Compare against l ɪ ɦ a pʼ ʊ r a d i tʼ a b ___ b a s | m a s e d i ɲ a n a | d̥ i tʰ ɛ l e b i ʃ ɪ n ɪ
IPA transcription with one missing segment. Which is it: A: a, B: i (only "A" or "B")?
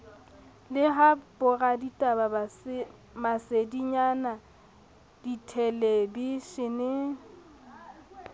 A